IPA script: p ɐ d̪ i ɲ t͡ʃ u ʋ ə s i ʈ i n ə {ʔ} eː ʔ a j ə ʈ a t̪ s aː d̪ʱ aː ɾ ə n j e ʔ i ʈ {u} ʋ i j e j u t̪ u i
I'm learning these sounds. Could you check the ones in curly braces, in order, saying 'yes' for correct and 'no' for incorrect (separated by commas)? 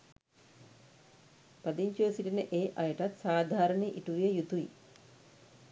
yes, yes